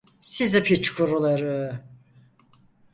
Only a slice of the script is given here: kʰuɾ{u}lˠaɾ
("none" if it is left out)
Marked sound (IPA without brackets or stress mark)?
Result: u